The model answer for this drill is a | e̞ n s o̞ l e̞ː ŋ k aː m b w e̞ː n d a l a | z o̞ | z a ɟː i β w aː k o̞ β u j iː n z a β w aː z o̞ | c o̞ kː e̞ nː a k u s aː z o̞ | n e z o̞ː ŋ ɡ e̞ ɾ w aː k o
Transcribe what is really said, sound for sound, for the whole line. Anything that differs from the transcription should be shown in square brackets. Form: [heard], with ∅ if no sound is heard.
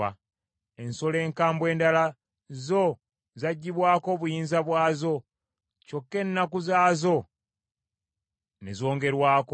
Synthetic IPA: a | e̞ n s o̞ l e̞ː ŋ k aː m b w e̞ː n d a l a | z o̞ | z a ɟː i β w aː k o̞ β u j iː n z a β w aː z o̞ | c o̞ kː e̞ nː a k u [z] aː z o̞ | n e z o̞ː ŋ ɡ e̞ ɾ w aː k o